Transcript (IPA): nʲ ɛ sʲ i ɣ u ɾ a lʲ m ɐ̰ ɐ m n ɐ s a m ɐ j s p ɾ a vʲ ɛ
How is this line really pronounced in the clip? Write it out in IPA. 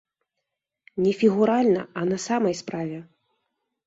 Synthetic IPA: nʲ ɛ fʲ i ɣ u ɾ a lʲ n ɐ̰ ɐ n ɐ s a m ɐ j s p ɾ a vʲ ɛ